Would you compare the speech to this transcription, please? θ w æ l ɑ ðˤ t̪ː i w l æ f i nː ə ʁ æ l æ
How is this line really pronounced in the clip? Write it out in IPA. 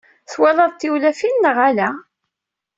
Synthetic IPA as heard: θ w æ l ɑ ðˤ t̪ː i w l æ f i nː ə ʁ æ l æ

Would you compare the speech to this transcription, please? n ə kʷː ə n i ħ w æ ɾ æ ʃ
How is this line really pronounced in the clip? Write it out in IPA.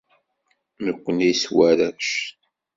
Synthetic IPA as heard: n ə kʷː ə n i s w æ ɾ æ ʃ

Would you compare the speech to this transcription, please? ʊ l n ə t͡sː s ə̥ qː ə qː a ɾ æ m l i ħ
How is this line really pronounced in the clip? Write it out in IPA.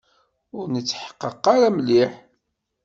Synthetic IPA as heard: ʊ ɾ n ə t͡sː ħ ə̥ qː ə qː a ɾ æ m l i ħ

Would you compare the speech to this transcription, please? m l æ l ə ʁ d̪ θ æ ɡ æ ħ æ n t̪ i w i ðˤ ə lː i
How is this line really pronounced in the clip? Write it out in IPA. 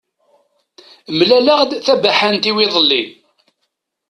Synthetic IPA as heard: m l æ l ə ʁ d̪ θ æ b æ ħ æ n t̪ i w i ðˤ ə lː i

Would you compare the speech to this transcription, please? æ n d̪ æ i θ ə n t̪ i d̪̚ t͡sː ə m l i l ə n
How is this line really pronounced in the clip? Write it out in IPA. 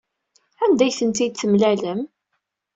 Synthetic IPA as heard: æ n d̪ æ j θ ə n t̪ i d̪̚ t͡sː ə m l æ l ə m

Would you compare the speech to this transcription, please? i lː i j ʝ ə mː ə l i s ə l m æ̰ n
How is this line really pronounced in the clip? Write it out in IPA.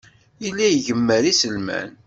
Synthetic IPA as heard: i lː æ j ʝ ə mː ə ɾ i s ə l m æ̰ n

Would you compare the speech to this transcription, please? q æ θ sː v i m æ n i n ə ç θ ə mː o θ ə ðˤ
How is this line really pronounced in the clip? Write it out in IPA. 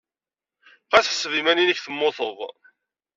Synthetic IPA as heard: q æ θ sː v i m æ n i n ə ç θ ə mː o θ ə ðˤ

